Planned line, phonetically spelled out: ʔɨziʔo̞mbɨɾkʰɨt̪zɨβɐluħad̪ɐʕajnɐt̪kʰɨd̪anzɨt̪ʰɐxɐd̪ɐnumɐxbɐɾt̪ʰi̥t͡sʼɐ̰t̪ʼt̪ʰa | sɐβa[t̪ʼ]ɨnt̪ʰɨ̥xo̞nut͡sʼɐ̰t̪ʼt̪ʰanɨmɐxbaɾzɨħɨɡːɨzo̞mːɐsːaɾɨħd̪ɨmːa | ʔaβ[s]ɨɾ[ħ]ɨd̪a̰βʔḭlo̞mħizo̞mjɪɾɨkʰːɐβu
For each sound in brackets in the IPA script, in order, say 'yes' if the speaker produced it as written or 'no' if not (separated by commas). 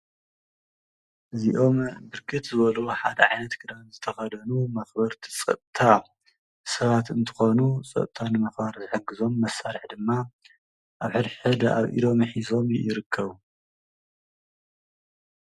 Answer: no, no, yes